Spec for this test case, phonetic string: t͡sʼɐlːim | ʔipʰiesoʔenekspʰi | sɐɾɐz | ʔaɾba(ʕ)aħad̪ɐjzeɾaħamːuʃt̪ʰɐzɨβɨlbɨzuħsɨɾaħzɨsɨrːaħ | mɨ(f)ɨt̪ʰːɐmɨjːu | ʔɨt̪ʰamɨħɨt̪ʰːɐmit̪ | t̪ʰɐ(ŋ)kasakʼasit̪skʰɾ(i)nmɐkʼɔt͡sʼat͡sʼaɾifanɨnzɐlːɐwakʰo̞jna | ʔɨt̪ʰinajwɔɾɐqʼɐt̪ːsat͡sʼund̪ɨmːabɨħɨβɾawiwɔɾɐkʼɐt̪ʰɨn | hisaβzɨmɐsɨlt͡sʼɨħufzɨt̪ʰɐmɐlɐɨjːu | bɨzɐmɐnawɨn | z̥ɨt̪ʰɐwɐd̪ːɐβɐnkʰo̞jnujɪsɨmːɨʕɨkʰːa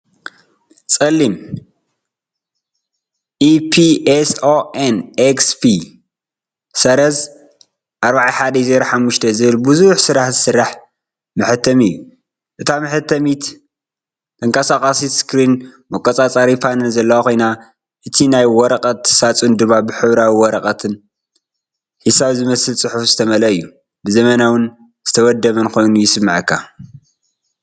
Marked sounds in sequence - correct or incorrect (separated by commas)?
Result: correct, incorrect, correct, correct